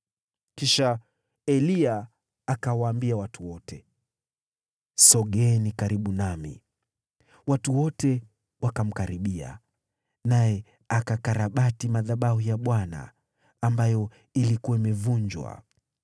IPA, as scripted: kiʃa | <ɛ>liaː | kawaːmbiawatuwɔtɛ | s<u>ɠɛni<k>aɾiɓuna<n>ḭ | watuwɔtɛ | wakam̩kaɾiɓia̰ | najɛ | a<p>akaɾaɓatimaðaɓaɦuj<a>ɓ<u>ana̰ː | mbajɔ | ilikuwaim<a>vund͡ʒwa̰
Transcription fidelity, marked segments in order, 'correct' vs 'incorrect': correct, incorrect: ɔ, correct, incorrect: m, incorrect: k, correct, incorrect: w, incorrect: ɛ

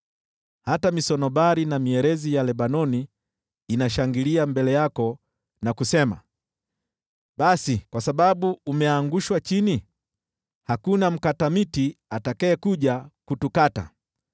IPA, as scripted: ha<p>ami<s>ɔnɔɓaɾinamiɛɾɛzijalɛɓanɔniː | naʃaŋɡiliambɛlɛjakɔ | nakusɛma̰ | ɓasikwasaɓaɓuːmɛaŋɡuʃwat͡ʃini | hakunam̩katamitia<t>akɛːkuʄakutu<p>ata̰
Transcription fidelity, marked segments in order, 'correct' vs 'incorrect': incorrect: t, correct, correct, incorrect: k

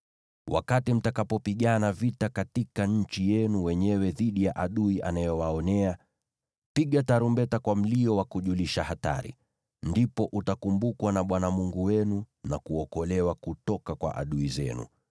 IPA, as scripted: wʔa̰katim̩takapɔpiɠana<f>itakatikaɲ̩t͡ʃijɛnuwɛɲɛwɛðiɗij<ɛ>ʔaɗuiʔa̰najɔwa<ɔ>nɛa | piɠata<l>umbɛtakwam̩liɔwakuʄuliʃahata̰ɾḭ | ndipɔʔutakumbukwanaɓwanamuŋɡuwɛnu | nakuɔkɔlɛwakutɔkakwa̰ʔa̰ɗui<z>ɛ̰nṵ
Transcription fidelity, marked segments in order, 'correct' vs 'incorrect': incorrect: v, incorrect: a, correct, incorrect: ɾ, correct

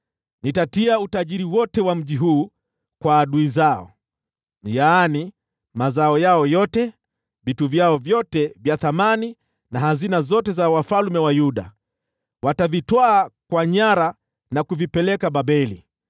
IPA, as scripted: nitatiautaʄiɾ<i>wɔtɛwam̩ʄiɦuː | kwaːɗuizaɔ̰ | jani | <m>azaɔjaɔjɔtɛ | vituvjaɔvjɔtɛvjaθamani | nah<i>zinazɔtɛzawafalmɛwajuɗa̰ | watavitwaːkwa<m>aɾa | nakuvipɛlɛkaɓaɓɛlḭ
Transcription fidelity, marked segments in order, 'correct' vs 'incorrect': correct, correct, incorrect: a, incorrect: ɲ

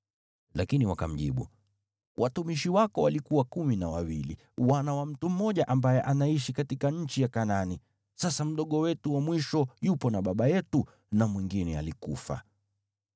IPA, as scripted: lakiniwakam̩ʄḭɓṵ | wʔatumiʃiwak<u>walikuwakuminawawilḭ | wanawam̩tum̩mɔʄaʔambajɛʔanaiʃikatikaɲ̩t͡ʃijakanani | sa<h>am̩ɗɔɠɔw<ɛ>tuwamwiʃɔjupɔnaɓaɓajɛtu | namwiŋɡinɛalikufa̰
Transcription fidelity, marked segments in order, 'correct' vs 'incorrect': incorrect: ɔ, incorrect: s, correct

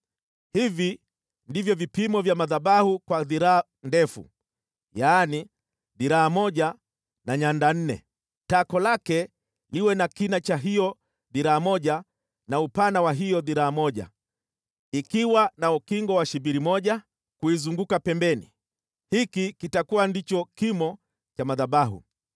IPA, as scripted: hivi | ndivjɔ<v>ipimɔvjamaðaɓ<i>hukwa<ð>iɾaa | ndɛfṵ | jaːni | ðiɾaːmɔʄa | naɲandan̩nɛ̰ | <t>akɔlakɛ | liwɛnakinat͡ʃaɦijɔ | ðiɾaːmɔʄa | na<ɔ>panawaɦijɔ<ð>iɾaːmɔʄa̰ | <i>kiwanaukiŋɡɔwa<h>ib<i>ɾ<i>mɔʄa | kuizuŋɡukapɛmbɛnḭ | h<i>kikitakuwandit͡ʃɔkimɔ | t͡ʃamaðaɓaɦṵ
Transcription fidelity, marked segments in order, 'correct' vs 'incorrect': correct, incorrect: a, correct, correct, incorrect: u, correct, correct, incorrect: ʃ, correct, correct, correct

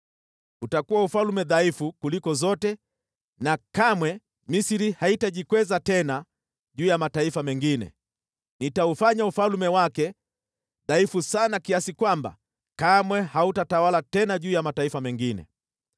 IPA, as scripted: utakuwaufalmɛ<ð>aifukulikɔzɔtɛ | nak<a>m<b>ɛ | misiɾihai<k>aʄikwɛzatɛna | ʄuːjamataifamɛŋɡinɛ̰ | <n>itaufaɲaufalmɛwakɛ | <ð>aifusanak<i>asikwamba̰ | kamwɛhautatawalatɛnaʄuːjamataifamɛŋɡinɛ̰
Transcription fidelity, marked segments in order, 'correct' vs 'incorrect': correct, correct, incorrect: w, incorrect: t, correct, correct, correct

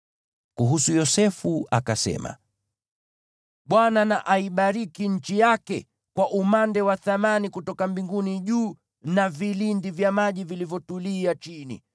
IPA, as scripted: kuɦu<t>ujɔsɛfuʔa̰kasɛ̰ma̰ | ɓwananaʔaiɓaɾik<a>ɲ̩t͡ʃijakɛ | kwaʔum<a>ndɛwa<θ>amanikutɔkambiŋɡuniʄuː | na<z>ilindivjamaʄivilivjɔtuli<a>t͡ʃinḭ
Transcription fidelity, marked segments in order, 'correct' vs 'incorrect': incorrect: s, incorrect: i, correct, correct, incorrect: v, correct

